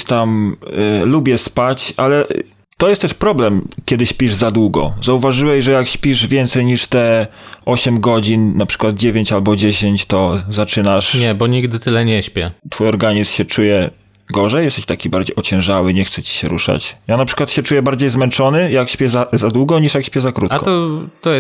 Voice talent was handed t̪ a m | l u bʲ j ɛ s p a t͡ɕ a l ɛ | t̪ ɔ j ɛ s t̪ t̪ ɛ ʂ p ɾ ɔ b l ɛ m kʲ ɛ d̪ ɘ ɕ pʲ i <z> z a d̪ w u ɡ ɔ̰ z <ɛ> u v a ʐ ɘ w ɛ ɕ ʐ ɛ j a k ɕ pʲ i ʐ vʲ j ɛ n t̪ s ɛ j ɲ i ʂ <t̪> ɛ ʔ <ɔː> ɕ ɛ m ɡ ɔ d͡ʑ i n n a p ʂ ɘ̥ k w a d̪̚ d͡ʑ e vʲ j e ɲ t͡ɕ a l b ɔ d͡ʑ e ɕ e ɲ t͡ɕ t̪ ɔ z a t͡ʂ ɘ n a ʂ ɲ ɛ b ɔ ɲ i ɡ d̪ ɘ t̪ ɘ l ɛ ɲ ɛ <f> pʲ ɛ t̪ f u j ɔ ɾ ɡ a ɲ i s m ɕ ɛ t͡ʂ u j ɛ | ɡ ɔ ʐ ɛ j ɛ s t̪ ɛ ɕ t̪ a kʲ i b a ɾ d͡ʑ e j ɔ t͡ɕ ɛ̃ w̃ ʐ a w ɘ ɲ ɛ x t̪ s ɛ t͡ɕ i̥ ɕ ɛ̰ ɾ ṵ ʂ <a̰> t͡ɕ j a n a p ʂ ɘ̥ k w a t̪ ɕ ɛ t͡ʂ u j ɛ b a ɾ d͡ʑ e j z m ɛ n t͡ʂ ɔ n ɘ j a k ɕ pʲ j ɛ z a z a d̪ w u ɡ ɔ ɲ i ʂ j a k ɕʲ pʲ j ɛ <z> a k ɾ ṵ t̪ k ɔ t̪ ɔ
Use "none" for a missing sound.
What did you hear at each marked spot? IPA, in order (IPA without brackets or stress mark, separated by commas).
ʐ, a, t̪, ɔ, ɕ, a̰, z